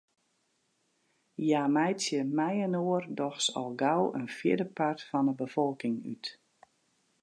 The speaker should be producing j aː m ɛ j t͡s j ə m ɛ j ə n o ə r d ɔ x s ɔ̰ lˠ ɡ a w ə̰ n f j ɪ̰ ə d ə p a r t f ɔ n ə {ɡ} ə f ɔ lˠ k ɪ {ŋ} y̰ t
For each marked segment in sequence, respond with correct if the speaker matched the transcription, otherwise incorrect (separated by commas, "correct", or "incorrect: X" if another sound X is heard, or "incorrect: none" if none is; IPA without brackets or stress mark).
incorrect: b, correct